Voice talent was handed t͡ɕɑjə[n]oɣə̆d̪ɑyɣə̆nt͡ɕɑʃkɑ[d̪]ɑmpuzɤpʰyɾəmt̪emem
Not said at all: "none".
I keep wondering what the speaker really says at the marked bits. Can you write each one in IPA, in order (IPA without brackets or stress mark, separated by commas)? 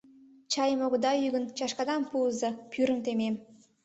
m, d̪